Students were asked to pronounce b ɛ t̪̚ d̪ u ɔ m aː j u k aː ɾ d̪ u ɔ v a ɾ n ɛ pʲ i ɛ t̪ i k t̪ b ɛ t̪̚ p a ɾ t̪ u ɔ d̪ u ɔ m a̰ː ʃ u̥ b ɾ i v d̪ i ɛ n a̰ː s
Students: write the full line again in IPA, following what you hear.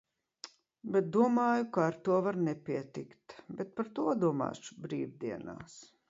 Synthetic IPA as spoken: b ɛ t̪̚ d̪ u ɔ m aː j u k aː ɾ t̪ u ɔ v a ɾ n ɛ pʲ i ɛ t̪ i k t̪ b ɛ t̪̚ p a ɾ t̪ u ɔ d̪ u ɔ m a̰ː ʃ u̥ b ɾ iː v d̪ i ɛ n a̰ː s